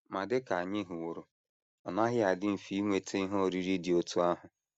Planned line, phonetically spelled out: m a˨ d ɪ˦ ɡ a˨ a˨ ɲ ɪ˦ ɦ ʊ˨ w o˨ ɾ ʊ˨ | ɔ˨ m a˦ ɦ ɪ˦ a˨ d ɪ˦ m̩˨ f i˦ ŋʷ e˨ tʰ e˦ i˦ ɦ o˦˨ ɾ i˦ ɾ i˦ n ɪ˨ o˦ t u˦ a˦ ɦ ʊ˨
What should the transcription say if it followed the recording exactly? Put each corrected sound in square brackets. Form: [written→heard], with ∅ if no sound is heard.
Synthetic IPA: m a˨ d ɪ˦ [ɡ→k] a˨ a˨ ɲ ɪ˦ ɦ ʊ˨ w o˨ ɾ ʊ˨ | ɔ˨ [m→n] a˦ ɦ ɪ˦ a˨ d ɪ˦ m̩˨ f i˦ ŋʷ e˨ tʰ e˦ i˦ ɦ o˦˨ ɾ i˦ ɾ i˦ [n→d] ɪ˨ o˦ t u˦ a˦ ɦ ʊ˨